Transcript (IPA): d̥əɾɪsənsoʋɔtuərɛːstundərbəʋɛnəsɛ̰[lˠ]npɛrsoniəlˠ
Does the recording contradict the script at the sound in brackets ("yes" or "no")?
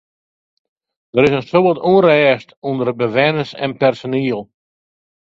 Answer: yes